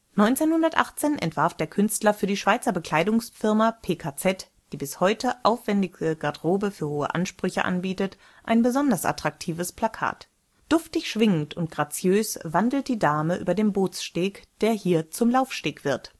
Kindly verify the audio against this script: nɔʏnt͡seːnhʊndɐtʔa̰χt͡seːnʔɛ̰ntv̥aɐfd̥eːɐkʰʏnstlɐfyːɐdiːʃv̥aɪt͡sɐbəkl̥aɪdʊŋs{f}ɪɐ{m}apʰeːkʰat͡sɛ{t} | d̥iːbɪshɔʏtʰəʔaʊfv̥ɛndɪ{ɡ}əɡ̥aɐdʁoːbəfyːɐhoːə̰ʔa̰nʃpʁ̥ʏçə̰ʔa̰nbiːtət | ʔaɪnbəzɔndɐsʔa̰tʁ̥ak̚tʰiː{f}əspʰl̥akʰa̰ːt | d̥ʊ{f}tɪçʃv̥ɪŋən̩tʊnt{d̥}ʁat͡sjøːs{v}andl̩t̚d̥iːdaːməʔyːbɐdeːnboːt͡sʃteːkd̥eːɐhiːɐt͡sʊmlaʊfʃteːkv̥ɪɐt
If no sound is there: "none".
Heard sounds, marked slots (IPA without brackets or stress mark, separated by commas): f, m, t, ɡ, v, f, ɡ̥, v